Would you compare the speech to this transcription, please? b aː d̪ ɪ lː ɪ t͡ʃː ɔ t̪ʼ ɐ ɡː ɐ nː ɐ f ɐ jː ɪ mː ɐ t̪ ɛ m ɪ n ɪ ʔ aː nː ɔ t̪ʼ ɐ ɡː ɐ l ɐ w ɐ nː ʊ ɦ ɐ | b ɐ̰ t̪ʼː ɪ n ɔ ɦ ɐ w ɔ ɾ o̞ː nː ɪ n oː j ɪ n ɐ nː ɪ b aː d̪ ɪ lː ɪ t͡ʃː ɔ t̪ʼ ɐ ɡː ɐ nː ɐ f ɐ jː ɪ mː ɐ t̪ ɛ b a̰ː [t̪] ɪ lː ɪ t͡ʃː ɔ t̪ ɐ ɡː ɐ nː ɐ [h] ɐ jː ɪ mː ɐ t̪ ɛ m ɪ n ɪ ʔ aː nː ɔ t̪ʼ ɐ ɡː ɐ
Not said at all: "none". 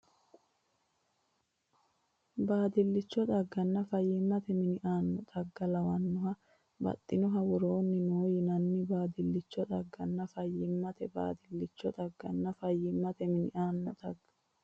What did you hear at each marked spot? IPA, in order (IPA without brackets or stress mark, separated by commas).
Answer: d̪, f